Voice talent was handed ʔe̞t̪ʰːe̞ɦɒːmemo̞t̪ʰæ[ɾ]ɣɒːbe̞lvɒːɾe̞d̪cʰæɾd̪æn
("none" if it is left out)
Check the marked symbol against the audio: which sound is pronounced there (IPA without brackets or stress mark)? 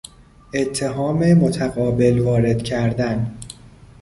none